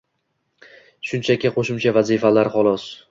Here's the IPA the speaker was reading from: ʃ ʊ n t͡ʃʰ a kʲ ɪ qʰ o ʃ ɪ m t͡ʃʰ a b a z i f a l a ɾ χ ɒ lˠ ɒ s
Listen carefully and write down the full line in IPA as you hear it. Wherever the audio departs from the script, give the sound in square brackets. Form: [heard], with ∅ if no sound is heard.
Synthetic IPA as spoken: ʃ ʊ n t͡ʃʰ a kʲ ɪ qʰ o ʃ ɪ m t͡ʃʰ a [v] a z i f a l a ɾ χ ɒ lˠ ɒ s